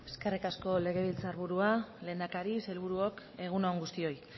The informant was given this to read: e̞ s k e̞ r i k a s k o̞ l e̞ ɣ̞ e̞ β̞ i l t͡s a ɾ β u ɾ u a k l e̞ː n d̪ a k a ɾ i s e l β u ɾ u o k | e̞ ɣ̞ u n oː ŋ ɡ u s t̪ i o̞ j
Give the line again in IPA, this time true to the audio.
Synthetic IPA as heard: e̞ s k e̞ r i k a s k o̞ l e̞ ɣ̞ e̞ β̞ i l t͡s a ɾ β u ɾ u a l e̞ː n d̪ a k a ɾ i s e l β u ɾ u o k | e̞ ɣ̞ u n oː ŋ ɡ u s t̪ i o̞ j